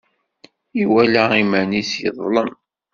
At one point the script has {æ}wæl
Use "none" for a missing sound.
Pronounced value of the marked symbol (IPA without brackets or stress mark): i